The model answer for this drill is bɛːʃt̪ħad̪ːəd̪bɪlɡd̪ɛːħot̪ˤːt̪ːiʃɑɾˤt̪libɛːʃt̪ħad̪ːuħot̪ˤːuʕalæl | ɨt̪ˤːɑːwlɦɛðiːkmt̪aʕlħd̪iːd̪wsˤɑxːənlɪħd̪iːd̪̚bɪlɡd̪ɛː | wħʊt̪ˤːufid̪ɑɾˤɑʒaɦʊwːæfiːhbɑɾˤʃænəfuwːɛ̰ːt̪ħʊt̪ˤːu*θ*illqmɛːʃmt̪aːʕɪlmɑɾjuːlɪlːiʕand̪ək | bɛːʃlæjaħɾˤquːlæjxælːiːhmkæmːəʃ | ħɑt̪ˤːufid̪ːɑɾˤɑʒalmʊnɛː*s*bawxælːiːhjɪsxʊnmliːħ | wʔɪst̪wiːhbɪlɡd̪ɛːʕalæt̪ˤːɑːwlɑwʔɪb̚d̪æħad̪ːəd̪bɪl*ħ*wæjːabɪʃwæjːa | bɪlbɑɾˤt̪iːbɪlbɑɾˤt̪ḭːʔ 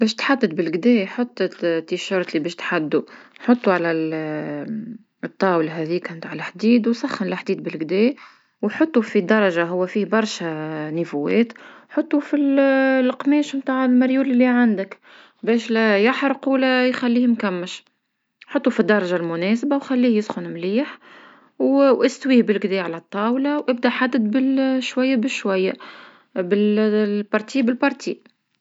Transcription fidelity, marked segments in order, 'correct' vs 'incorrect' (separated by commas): incorrect, correct, incorrect